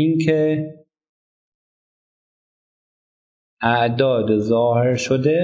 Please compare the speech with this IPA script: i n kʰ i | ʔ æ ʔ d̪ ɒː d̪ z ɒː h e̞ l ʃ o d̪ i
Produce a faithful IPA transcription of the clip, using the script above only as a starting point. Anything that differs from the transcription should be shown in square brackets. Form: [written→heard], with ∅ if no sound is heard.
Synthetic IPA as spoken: i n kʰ [i→e] | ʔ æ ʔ d̪ ɒː d̪ z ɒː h e̞ [l→ɾ] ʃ o d̪ [i→e]